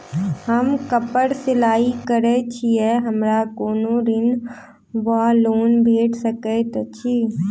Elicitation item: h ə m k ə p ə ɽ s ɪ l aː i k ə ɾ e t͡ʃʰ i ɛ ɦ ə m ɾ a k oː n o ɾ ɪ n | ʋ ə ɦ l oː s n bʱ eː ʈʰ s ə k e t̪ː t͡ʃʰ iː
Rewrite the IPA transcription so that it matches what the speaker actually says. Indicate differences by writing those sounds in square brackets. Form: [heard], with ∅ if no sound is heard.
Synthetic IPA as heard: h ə m k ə p ə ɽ s ɪ l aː i k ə ɾ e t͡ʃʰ i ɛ ɦ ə m ɾ a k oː n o ɾ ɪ n | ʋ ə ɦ l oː [∅] n bʱ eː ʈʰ s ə k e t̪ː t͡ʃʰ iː

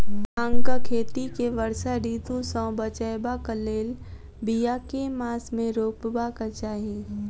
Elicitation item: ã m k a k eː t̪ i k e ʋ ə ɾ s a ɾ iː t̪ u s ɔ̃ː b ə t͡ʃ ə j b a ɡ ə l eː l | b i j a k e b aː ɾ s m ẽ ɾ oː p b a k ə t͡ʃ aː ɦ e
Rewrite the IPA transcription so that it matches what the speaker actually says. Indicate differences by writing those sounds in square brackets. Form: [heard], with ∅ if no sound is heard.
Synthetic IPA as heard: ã [ŋ] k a [kʰ] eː t̪ i k e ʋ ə ɾ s a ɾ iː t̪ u s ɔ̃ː b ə t͡ʃ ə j b a [k] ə l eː l | b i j a k e [m] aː [∅] s m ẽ ɾ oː p b a k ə t͡ʃ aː ɦ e

